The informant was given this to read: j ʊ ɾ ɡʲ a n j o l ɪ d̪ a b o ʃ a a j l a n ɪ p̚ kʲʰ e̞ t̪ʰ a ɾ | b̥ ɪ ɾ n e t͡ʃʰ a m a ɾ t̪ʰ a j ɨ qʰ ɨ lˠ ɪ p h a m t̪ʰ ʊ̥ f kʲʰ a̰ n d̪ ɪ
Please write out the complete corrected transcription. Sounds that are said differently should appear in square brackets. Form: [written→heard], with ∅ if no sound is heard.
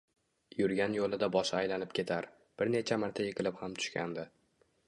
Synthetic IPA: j ʊ ɾ ɡʲ a n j o l ɪ d̪ a b [o→ɒ] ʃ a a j l a n ɪ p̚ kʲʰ e̞ t̪ʰ a ɾ | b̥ ɪ ɾ n e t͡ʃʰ a m a ɾ t̪ʰ a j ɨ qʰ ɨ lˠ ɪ p h a m t̪ʰ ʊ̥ [f→ʃ] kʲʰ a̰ n d̪ ɪ